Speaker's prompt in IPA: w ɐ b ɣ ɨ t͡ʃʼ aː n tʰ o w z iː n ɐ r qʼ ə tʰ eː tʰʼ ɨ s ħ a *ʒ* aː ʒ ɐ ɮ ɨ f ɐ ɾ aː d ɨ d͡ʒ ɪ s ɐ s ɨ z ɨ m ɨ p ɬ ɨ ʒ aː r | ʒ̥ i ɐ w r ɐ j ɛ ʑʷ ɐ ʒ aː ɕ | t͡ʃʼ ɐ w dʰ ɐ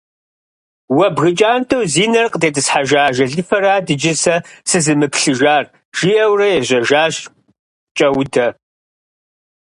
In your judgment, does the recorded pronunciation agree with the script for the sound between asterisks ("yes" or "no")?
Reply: yes